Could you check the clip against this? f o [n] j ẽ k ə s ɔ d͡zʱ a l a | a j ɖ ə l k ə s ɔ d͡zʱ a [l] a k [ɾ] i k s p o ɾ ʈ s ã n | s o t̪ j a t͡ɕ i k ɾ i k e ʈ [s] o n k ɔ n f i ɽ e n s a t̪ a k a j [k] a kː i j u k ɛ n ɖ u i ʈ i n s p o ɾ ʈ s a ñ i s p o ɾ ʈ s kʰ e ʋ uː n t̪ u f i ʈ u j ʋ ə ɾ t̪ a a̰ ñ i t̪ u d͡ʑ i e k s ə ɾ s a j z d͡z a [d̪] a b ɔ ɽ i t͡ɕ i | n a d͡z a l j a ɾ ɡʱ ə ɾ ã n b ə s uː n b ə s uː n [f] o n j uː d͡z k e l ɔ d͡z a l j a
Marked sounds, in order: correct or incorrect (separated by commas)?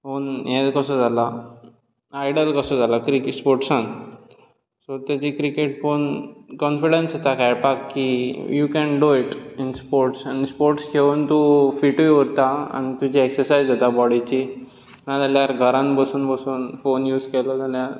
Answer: correct, correct, correct, incorrect, incorrect, incorrect, correct